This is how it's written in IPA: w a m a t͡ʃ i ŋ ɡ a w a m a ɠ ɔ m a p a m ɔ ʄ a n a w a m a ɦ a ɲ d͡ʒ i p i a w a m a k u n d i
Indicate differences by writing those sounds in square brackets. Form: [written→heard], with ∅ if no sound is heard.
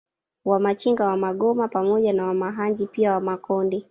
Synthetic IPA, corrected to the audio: w a m a t͡ʃ i ŋ ɡ a w a m a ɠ ɔ m a p a m ɔ ʄ a n a w a m a ɦ a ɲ d͡ʒ i p i a w a m a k [u→ɔ] n d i